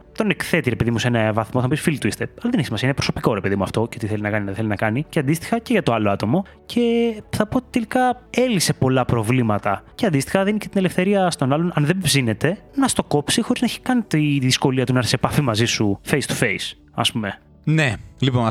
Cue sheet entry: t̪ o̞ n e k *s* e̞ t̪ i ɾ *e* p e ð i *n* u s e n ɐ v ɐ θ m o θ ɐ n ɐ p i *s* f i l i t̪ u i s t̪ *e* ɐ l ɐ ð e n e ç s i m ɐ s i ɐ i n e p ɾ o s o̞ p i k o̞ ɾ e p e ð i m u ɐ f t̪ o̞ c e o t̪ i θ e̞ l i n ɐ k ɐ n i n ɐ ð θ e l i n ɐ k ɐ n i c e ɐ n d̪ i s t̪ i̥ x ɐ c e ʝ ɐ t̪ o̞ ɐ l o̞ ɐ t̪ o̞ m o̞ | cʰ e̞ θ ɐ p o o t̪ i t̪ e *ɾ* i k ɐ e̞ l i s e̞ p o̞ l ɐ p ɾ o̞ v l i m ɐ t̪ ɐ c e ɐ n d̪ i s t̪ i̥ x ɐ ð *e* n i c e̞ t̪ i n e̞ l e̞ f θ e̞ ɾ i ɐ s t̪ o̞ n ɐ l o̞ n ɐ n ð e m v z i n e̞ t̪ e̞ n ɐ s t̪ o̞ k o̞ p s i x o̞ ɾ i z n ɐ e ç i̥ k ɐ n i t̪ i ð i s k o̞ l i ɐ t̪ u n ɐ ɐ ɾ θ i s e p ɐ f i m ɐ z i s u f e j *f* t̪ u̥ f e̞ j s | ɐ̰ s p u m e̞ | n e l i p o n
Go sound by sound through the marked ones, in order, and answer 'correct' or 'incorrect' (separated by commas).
incorrect, correct, incorrect, correct, correct, incorrect, incorrect, incorrect